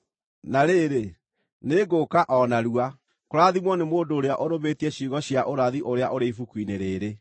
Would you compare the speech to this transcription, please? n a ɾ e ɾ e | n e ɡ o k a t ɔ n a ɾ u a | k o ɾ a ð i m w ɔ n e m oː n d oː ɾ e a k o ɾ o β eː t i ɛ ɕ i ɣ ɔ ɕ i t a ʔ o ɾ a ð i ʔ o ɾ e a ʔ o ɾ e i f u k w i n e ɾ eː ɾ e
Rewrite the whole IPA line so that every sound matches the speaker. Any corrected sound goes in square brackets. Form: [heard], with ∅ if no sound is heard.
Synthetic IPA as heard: n a ɾ e ɾ e | n e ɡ o k a [ʔ] ɔ n a ɾ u a | k o ɾ a ð i m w ɔ n e m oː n d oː ɾ e a [ʔ] o ɾ o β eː t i ɛ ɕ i ɣ ɔ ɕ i [∅] a ʔ o ɾ a ð i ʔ o ɾ e a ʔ o ɾ e i f u k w i n e ɾ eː ɾ e